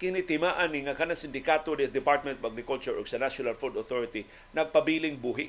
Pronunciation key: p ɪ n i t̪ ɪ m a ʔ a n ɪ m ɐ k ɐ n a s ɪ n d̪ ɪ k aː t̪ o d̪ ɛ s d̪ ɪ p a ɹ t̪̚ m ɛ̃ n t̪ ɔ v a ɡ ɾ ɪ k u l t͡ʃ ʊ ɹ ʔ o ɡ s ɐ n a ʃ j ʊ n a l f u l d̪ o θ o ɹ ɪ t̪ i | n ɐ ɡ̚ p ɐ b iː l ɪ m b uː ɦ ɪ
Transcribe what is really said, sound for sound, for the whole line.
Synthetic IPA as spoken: k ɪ n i t̪ ɪ m a ʔ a n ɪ ŋ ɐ k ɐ n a s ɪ n d̪ ɪ k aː t̪ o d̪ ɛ s d̪ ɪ p a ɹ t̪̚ m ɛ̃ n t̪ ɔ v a ɡ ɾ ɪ k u l t͡ʃ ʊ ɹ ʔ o ɡ s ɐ n a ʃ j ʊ n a l f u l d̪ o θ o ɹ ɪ t̪ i | n ɐ ɡ̚ p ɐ b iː l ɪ ŋ b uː ɦ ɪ